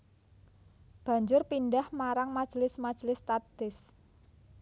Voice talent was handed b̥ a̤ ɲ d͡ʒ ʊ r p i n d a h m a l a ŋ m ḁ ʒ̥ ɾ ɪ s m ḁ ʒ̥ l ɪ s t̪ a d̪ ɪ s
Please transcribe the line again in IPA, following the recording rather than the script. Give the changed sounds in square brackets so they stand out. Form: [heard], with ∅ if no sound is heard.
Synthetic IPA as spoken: b̥ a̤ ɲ d͡ʒ ʊ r p i n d a h m a [ɾ] a ŋ m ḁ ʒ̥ [l] ɪ s m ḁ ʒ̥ l ɪ s t̪ a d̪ ɪ s